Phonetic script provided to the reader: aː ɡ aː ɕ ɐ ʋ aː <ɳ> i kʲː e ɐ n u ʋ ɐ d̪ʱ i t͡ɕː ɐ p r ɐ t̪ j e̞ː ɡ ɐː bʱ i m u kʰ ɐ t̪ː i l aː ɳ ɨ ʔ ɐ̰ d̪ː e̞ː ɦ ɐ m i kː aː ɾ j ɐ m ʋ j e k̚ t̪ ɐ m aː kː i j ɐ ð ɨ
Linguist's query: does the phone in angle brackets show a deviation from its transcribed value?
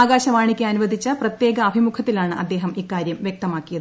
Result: no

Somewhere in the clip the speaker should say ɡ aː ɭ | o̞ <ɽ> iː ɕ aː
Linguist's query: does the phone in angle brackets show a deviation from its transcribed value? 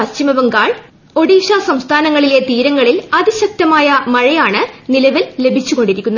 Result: no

